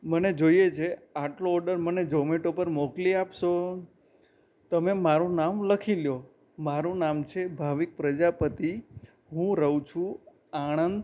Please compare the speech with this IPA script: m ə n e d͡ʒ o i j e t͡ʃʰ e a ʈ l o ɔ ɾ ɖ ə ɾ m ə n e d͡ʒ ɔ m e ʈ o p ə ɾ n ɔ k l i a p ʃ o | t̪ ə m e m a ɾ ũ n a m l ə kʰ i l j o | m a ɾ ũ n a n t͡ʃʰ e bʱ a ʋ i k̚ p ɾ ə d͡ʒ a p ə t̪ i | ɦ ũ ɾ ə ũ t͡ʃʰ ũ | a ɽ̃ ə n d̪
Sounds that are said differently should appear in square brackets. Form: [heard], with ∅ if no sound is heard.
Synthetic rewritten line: m ə n e d͡ʒ o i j e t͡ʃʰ e a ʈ l o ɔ ɾ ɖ ə ɾ m ə n e d͡ʒ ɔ m e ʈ o p ə ɾ [m] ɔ k l i a p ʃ o | t̪ ə m e m a ɾ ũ n a m l ə kʰ i l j o | m a ɾ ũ n a [m] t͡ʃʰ e bʱ a ʋ i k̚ p ɾ ə d͡ʒ a p ə t̪ i | ɦ ũ ɾ ə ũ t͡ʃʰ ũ | a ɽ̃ ə n d̪

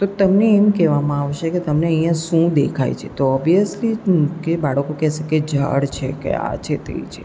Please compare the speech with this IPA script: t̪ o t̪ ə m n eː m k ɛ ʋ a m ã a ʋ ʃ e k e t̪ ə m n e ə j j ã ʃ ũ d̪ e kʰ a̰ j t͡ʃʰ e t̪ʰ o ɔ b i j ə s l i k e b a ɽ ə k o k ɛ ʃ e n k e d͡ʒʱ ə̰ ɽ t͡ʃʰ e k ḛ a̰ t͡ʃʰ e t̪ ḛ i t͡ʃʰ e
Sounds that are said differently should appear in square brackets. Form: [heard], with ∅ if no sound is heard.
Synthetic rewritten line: t̪ o t̪ ə m n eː m k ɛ ʋ a m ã a ʋ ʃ e k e t̪ ə m n e ə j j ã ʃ ũ d̪ e kʰ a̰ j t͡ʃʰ e [t̪] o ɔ b i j ə s l i k e b a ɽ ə k o k ɛ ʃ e [∅] k e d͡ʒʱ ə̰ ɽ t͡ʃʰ e k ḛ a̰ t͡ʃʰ e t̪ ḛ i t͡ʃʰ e

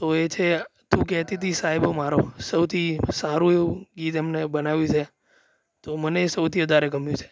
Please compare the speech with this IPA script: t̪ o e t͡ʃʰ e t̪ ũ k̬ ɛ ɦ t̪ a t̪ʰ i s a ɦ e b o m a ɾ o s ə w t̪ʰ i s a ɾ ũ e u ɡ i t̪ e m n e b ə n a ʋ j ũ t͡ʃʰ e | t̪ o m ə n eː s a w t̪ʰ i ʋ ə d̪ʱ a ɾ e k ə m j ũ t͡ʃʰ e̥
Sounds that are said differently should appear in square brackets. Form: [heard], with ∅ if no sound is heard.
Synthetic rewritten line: t̪ o e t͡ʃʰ e t̪ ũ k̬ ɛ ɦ t̪ [i] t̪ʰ i s a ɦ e b o m a ɾ o s ə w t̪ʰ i s a ɾ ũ e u ɡ i t̪ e m n e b ə n a ʋ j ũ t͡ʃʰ e | t̪ o m ə n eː s [ə] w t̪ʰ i ʋ ə d̪ʱ a ɾ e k ə m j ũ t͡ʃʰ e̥

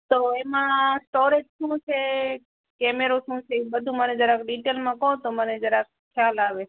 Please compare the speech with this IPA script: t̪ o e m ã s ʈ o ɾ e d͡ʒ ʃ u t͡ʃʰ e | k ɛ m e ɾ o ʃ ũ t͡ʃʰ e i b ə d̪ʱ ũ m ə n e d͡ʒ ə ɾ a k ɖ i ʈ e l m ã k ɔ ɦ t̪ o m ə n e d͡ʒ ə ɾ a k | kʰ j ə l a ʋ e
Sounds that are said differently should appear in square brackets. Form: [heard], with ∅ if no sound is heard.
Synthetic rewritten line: t̪ o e m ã s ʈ o ɾ e d͡ʒ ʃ [ũ] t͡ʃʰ e | k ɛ m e ɾ o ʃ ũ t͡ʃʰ e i b ə d̪ʱ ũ m ə n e d͡ʒ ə ɾ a k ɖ i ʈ e l m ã k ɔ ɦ t̪ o m ə n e d͡ʒ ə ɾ a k | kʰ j [a] l a ʋ e

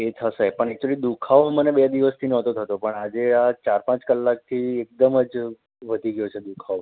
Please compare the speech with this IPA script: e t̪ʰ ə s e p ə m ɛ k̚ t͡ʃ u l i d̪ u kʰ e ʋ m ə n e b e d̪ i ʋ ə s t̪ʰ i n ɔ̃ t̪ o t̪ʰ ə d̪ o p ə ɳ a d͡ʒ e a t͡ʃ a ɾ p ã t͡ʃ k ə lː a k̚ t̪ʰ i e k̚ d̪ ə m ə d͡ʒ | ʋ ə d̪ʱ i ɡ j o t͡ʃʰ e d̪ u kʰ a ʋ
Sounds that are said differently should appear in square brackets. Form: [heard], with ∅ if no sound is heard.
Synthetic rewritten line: e t̪ʰ ə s e p ə [ɳ] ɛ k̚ t͡ʃ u l i d̪ u kʰ [a] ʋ m ə n e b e d̪ i ʋ ə s t̪ʰ i n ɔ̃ t̪ o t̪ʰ ə [t̪] o p ə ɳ a d͡ʒ e a t͡ʃ a ɾ p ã t͡ʃ k ə lː a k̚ t̪ʰ i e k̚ d̪ ə m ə d͡ʒ | ʋ ə d̪ʱ i ɡ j o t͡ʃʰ e d̪ u kʰ a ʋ

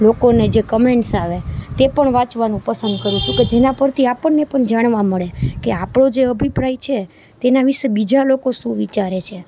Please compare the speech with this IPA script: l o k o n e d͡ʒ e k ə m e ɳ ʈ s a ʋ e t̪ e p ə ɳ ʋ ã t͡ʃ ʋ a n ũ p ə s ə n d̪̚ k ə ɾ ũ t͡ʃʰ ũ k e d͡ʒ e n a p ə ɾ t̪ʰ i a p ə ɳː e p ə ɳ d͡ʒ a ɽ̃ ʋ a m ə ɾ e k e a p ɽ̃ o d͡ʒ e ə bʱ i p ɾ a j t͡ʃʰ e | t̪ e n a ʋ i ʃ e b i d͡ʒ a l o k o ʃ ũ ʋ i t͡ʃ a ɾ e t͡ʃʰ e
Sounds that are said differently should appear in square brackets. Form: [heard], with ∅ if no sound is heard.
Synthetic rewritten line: l o k o n e d͡ʒ e k ə m e ɳ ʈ s a ʋ e t̪ e p ə ɳ ʋ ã t͡ʃ ʋ a n ũ p ə s ə n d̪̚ k ə ɾ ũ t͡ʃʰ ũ k e d͡ʒ e n a p ə ɾ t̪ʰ i a p ə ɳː e p ə ɳ d͡ʒ a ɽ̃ ʋ a m ə [ɭ] e k e a p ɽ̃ o d͡ʒ e ə bʱ i p ɾ a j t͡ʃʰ e | t̪ e n a ʋ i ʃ e b i d͡ʒ a l o k o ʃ ũ ʋ i t͡ʃ a ɾ e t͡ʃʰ e

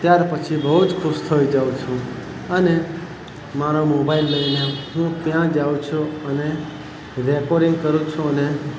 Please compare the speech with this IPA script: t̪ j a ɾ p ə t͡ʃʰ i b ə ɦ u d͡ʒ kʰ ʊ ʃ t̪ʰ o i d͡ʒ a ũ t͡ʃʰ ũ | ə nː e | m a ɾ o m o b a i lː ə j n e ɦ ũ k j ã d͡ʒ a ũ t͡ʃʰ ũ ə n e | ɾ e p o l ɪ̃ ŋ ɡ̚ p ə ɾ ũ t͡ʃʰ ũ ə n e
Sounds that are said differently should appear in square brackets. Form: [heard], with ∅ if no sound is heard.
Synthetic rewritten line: t̪ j a ɾ p ə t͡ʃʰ i b ə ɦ u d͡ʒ kʰ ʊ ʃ t̪ʰ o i d͡ʒ a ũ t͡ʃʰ ũ | ə [n] e | m a ɾ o m o b a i lː ə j n e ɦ ũ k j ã d͡ʒ a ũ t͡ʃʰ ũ ə n e | ɾ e [k] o [ɾ] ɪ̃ ŋ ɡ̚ [k] ə ɾ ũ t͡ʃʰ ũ ə n e

